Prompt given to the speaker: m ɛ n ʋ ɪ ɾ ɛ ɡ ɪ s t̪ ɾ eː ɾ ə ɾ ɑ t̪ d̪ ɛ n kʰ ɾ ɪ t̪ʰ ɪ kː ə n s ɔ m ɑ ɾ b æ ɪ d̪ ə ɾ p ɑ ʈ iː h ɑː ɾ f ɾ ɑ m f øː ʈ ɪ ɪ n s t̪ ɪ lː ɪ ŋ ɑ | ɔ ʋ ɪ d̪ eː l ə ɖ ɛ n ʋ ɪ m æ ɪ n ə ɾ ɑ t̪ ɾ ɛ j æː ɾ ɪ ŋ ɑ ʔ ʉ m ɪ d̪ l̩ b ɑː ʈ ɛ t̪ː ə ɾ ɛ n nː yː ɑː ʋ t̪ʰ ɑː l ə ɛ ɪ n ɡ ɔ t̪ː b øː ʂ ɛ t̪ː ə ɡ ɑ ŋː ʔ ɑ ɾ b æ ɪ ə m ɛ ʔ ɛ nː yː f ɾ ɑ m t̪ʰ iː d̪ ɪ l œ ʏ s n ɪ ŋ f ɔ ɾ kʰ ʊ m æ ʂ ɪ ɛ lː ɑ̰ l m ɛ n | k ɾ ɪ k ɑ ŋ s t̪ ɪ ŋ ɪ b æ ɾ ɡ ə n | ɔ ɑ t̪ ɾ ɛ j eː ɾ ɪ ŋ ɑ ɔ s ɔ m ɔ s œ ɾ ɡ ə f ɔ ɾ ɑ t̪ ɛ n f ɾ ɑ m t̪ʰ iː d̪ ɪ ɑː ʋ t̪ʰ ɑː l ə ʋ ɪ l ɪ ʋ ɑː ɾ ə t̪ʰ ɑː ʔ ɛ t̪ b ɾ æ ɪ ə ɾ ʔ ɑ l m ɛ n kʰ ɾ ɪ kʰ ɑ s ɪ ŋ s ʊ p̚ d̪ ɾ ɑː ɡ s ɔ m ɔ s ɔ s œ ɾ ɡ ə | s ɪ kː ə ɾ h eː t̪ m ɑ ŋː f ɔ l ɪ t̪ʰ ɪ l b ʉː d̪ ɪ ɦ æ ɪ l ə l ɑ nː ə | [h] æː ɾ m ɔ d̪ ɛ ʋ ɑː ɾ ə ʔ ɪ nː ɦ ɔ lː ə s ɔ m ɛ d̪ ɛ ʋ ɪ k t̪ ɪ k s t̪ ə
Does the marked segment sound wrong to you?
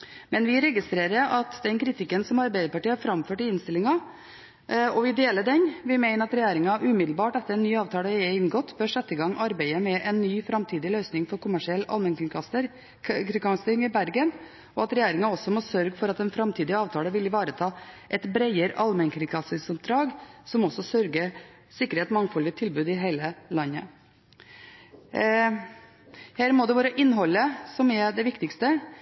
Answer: no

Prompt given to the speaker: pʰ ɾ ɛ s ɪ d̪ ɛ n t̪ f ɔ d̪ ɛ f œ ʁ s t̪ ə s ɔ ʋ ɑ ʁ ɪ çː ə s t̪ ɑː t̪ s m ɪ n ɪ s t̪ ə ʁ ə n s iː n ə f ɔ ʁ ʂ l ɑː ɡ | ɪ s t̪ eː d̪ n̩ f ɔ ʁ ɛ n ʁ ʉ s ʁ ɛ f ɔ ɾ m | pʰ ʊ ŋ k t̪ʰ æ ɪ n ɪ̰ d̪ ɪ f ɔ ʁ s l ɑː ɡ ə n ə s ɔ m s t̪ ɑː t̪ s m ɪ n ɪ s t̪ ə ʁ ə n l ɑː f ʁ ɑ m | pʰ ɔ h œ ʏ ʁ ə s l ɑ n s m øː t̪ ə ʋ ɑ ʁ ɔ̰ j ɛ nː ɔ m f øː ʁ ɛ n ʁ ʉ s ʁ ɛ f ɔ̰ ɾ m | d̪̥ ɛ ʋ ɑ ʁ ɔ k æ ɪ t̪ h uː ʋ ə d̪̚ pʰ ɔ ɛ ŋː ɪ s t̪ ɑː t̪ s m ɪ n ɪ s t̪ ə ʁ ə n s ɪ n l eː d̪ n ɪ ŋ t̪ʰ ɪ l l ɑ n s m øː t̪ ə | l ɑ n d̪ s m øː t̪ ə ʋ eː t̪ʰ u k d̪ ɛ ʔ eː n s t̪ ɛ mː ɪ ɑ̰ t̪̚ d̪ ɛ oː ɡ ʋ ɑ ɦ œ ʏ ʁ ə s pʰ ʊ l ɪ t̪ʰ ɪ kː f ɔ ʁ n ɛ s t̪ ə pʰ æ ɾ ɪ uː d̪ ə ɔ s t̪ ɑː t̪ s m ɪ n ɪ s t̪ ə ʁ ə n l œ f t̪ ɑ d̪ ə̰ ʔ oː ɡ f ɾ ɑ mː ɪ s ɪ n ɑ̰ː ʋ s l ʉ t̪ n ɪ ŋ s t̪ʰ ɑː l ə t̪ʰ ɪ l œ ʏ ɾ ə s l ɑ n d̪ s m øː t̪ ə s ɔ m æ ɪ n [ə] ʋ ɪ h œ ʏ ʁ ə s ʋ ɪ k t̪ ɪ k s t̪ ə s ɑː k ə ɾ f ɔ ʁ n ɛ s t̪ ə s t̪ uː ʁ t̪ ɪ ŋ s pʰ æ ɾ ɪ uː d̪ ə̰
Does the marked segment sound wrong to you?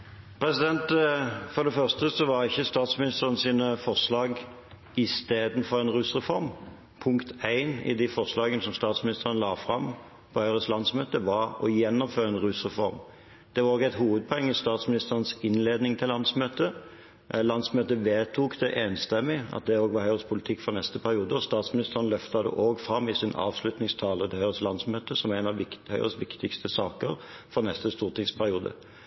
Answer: yes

